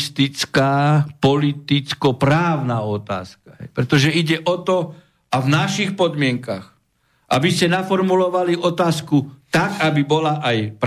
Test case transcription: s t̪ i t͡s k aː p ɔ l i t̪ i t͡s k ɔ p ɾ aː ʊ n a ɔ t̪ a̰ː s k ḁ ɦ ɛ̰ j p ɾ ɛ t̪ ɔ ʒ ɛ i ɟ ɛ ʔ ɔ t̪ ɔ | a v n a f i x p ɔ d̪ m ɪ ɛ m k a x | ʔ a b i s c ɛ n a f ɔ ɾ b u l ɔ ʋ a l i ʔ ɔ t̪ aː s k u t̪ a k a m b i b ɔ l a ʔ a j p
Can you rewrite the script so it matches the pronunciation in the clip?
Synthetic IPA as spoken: s t̪ i t͡s k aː p ɔ l i t̪ i t͡s k ɔ p ɾ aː ʊ n a ɔ t̪ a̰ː s k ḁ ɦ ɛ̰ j p ɾ ɛ t̪ ɔ ʒ ɛ i ɟ ɛ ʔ ɔ t̪ ɔ | a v n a ʃ i x p ɔ d̪ m ɪ ɛ ŋ k a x | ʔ a b i s c ɛ n a f ɔ ɾ m u l ɔ ʋ a l i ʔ ɔ t̪ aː s k u t̪ a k a b i b ɔ l a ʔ a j p